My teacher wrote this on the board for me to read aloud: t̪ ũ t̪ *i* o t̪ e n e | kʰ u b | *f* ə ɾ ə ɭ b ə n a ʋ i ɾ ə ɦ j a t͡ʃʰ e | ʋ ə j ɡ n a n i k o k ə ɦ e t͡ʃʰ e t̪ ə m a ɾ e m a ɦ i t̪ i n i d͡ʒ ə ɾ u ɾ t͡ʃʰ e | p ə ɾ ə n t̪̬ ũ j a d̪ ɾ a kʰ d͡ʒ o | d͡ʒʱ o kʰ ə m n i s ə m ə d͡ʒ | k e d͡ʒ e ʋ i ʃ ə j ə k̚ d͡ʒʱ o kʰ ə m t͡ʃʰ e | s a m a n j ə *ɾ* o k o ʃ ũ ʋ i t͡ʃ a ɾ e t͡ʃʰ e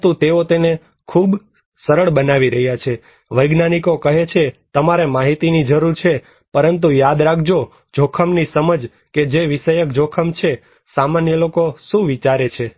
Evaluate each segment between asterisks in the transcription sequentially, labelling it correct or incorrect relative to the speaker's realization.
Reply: incorrect, incorrect, incorrect

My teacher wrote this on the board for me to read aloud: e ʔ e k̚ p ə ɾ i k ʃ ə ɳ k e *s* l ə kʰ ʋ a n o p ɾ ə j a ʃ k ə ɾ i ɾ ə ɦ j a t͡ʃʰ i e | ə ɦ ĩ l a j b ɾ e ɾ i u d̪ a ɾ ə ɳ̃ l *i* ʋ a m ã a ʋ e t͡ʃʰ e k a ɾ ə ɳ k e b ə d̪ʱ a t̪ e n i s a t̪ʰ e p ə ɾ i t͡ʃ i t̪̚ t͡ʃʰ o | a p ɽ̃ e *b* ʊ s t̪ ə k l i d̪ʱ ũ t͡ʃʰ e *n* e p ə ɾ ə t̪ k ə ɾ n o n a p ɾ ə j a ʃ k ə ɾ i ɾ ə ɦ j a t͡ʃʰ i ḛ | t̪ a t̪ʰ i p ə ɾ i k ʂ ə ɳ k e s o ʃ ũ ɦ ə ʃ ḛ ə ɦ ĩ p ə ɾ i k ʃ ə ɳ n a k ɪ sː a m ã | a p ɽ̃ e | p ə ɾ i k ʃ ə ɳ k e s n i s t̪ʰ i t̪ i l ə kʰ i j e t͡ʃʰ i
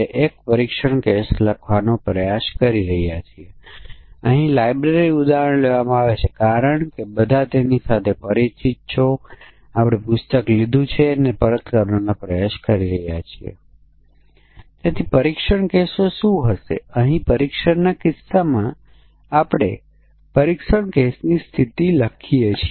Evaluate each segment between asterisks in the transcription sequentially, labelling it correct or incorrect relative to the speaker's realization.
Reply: correct, incorrect, incorrect, correct

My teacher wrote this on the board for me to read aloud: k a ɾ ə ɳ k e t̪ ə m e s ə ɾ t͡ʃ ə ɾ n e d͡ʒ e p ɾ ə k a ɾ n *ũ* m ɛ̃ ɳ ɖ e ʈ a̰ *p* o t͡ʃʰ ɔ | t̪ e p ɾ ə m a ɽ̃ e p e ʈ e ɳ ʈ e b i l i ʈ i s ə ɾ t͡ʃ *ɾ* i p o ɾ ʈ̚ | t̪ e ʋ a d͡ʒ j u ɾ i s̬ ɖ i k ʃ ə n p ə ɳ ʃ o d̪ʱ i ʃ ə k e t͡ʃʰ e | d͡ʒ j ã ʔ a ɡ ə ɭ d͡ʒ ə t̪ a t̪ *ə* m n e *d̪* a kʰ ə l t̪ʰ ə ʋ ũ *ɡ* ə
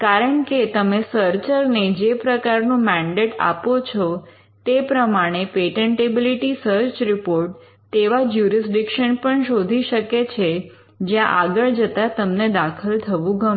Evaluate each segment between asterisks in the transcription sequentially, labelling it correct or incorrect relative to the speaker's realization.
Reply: correct, correct, correct, correct, correct, correct

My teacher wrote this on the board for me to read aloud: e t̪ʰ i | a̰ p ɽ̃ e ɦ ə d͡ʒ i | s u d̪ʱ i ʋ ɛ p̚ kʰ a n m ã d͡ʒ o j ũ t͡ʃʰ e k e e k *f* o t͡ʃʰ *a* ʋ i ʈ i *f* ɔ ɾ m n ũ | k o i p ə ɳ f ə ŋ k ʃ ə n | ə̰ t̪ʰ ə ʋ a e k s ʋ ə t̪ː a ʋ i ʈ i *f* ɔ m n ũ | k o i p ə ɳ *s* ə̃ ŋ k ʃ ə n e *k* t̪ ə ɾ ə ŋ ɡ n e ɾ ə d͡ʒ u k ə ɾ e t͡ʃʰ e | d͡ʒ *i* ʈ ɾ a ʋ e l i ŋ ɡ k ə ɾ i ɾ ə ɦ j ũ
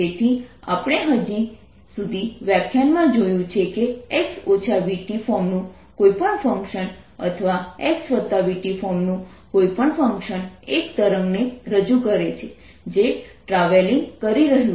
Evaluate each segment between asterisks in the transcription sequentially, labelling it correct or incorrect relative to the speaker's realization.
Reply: incorrect, correct, correct, correct, incorrect, correct, incorrect

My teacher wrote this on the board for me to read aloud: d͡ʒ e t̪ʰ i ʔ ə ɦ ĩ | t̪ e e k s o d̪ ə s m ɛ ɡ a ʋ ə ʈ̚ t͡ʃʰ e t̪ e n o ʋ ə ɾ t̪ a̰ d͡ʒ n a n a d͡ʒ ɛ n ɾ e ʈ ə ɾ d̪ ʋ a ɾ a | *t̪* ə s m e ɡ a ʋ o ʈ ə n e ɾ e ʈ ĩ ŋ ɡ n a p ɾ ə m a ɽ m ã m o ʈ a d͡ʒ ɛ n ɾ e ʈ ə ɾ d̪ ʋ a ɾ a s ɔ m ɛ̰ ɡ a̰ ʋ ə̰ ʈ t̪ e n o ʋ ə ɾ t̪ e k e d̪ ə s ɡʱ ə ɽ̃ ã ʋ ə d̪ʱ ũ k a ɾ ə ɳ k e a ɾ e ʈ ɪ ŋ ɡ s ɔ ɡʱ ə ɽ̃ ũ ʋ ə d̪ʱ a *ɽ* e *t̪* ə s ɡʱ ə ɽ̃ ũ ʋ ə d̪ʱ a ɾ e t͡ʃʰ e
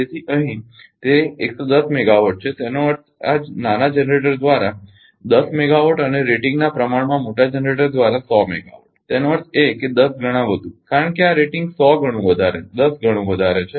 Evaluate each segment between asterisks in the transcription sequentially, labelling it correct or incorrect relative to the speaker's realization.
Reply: incorrect, incorrect, incorrect

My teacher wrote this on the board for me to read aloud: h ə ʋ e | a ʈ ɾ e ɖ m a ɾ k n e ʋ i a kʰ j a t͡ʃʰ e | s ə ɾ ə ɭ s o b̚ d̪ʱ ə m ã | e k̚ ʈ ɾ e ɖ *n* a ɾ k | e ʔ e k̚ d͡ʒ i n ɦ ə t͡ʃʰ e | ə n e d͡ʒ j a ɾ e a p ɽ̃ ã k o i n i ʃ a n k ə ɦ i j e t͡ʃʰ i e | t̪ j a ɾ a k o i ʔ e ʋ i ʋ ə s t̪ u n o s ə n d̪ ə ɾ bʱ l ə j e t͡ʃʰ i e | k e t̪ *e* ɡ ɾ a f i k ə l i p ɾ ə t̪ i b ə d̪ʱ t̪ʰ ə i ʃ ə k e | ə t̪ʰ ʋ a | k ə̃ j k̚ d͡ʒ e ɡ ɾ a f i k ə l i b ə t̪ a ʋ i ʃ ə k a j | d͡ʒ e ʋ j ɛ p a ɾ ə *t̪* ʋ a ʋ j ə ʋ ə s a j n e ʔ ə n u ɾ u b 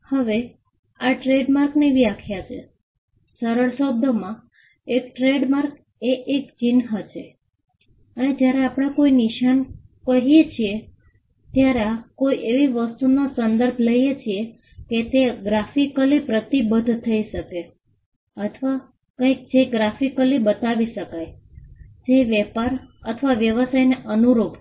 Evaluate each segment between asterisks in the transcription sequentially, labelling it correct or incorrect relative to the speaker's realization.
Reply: incorrect, correct, incorrect

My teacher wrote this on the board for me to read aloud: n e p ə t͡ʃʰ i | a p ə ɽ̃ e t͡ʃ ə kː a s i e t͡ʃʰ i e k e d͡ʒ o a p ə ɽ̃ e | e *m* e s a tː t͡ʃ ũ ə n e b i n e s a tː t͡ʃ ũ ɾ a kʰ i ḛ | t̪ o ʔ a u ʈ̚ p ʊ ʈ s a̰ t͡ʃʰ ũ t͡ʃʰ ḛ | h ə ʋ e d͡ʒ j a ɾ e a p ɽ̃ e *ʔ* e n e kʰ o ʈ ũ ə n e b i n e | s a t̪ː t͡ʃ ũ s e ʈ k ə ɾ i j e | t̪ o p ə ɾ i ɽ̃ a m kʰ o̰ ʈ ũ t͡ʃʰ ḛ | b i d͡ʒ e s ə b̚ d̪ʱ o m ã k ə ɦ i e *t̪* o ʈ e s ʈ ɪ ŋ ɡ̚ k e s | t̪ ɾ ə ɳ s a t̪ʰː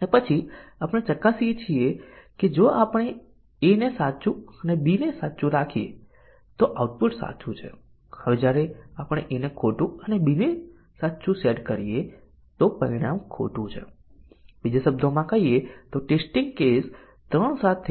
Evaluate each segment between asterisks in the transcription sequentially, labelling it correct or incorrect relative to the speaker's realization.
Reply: incorrect, correct, correct

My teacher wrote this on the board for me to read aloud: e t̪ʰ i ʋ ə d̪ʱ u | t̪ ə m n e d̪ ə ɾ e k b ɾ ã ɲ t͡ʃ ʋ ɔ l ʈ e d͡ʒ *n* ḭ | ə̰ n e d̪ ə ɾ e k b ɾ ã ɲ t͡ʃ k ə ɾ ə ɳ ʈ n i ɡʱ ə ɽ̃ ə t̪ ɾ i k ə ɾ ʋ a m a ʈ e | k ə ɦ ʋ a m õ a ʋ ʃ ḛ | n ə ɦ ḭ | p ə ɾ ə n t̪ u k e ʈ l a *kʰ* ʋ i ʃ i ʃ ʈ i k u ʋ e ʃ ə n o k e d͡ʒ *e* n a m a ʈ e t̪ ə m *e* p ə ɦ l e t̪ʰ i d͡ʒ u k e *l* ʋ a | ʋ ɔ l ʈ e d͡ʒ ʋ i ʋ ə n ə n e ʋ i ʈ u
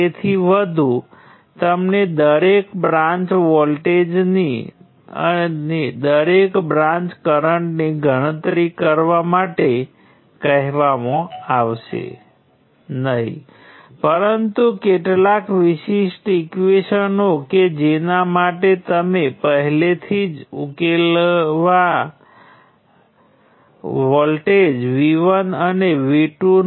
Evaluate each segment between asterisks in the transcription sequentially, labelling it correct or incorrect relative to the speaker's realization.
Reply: correct, incorrect, correct, correct, correct

